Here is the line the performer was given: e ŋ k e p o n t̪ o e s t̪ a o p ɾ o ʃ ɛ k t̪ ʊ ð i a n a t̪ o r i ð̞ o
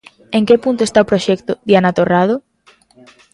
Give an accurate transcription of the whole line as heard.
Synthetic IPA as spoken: e ŋ k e p u n t̪ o e s t̪ a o p ɾ o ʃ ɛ k t̪ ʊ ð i a n a t̪ o r a ð̞ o